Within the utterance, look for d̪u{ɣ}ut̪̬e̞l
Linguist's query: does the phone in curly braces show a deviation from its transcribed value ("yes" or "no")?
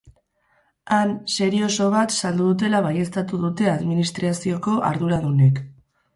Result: yes